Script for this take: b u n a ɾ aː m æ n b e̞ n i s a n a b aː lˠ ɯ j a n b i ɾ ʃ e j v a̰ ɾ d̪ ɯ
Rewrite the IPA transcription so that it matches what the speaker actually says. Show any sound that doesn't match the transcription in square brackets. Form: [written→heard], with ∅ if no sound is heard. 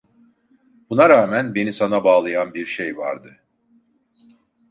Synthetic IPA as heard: b u n a ɾ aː m æ n b e̞ n i s a n a b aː lˠ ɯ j a n b i ɾ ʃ e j v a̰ ɾ d̪ ɯ